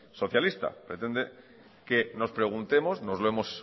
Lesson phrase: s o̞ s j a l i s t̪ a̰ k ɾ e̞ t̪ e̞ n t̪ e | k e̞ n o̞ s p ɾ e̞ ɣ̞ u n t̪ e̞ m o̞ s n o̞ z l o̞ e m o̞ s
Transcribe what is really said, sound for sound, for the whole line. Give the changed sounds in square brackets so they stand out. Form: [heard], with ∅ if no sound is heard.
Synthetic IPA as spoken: s o̞ [θ] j a l i s t̪ a̰ [p] ɾ e̞ t̪ e̞ n [d̪] e | k e̞ n o̞ s p ɾ e̞ ɣ̞ u n t̪ e̞ m o̞ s n o̞ z l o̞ e m o̞ s